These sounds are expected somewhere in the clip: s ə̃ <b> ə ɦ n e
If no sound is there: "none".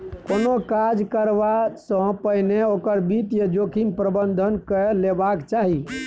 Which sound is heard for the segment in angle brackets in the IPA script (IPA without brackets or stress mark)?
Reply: p